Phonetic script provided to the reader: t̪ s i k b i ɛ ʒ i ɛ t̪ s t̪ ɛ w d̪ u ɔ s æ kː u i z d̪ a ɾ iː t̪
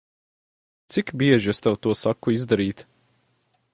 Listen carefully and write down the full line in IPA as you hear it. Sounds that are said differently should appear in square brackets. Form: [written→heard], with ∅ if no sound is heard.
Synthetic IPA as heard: t̪ s i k b i ɛ ʒ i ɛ [t̪→∅] s t̪ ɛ w [d̪→t̪] u ɔ s [æ→a] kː u i z d̪ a ɾ iː t̪